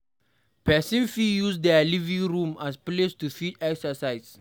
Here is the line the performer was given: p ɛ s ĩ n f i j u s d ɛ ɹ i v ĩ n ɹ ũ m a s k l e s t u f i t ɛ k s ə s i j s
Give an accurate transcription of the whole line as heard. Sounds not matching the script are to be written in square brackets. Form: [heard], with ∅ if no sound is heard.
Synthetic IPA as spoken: p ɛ s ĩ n f i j u s d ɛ [l] i v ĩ [ŋ] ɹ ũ m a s [p] l e s t u f i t ɛ k s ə s [a] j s